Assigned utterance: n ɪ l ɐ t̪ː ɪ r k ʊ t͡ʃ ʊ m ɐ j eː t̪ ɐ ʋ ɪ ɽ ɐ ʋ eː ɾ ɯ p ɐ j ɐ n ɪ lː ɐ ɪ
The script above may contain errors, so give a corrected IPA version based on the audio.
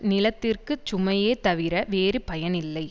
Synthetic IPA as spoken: n ɪ l ɐ t̪ː ɪ r k ɯ t͡ʃ ʊ m ɐ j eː t̪ ɐ ʋ ɪ ɾ ɐ ʋ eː ɾ ɯ p ɐ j ɐ n ɪ lː ɐ ɪ

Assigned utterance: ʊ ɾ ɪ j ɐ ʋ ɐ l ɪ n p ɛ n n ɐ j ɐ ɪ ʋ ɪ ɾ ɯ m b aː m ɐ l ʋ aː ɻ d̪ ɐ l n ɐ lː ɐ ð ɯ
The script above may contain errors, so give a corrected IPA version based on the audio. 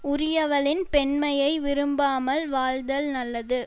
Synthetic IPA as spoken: ʊ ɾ ɪ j ɐ ʋ ɐ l ɪ n p ɛ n m ɐ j ɐ ɪ ʋ ɪ ɾ ɯ m b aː m ɐ l ʋ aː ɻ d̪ ɐ l n ɐ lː ɐ ð ɯ

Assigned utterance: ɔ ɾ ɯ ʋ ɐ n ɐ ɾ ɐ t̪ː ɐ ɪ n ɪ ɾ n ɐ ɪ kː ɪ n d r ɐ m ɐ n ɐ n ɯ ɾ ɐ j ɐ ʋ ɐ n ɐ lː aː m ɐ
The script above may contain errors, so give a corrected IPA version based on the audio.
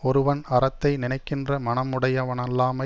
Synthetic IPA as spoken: ɔ ɾ ɯ ʋ ɐ n ɐ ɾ ɐ t̪ː ɐ ɪ n ɪ n ɐ ɪ kː ɪ n d r ɐ m ɐ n ɐ m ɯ ɽ ɐ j ɐ ʋ ɐ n ɐ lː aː m ɐ

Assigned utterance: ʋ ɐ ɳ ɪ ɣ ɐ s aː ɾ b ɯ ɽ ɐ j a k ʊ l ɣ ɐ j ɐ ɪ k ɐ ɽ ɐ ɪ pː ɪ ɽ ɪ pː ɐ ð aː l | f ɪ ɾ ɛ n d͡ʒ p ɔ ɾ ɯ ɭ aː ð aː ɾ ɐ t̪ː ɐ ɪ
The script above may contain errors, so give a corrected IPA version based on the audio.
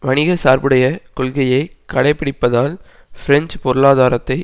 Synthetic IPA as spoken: ʋ ɐ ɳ ɪ ɣ ɐ s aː ɾ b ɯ ɽ ɐ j ɐ k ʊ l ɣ ɐ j ɐ ɪ k ɐ ɽ ɐ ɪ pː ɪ ɽ ɪ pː ɐ ð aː l | f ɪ ɾ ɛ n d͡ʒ p ɔ ɾ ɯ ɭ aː ð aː ɾ ɐ t̪ː ɐ ɪ

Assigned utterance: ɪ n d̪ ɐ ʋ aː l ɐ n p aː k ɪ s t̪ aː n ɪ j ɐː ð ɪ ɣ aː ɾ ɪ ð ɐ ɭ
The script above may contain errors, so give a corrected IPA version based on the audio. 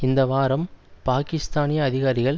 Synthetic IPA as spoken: ɪ n d̪ ɐ ʋ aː ɾ ɐ m p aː k ɪ s t̪ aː n ɪ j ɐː ð ɪ ɣ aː ɾ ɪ ɣ ɐ ɭ

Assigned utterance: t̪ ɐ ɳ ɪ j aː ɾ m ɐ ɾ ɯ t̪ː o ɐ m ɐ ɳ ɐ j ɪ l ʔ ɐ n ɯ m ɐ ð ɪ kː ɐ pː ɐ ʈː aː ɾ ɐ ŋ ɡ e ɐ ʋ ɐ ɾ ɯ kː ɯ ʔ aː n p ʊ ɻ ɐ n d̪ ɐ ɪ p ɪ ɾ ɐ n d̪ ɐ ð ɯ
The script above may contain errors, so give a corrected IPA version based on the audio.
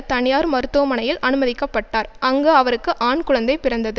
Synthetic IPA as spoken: t̪ ɐ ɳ ɪ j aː ɾ m ɐ ɾ ɯ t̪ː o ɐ m ɐ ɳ ɐ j ɪ l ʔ ɐ n ɯ m ɐ ð ɪ kː ɐ pː ɐ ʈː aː ɾ ɐ ŋ ɡ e ɐ ʋ ɐ ɾ ɯ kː ɯ ʔ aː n k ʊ ɻ ɐ n d̪ ɐ ɪ p ɪ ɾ ɐ n d̪ ɐ ð ɯ

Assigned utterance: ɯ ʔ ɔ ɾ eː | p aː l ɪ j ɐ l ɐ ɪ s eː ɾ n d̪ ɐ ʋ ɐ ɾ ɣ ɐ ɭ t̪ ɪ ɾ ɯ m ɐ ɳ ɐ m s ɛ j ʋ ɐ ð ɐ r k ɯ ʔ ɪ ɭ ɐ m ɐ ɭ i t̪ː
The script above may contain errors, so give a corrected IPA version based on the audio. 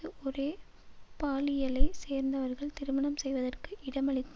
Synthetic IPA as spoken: ɯ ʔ ɔ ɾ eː | p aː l ɪ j ɐ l ɐ ɪ s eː ɾ n d̪ ɐ ʋ ɐ ɾ ɣ ɐ ɭ t̪ ɪ ɾ ɯ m ɐ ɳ ɐ m s ɛ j ʋ ɐ ð ɐ r k ɯ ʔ ɪ ɽ ɐ m ɐ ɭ ɪ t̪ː

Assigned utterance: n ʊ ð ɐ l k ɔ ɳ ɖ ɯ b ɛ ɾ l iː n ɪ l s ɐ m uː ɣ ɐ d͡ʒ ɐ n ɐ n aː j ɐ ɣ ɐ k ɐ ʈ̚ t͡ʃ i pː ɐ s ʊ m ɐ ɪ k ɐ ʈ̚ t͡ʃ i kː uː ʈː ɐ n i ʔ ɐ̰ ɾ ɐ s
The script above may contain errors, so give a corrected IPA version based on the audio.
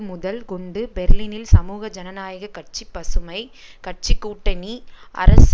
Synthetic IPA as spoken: m ʊ ð ɐ l k ɔ ɳ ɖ ɯ b ɛ ɾ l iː n ɪ l s ɐ m uː ɣ ɐ d͡ʒ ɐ n ɐ n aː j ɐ ɣ ɐ k ɐ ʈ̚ t͡ʃ i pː ɐ s ɯ m ɐ ɪ k ɐ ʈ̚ t͡ʃ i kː uː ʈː ɐ n i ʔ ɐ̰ ɾ ɐ s

